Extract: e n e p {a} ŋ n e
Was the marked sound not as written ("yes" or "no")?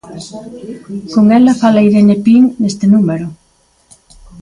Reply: yes